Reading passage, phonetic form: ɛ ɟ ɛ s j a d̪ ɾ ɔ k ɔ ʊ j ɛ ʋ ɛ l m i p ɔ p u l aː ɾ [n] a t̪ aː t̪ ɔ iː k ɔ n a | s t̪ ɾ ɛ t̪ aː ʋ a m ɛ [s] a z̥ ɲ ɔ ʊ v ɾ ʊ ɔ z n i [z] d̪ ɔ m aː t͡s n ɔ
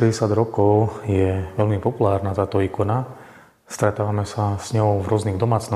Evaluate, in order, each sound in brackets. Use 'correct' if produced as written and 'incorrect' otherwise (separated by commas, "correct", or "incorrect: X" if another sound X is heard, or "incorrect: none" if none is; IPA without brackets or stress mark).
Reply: correct, correct, incorrect: ɣ